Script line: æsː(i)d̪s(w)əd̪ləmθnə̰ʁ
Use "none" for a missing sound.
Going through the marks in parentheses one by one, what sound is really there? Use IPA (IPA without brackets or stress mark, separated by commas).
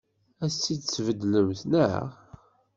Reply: i, v